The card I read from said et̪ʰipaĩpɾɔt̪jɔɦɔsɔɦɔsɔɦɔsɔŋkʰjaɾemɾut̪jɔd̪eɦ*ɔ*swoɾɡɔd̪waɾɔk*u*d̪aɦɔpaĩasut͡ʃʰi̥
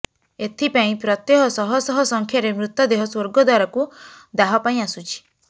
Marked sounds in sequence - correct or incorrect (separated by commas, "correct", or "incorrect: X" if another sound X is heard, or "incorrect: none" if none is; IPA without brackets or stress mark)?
correct, correct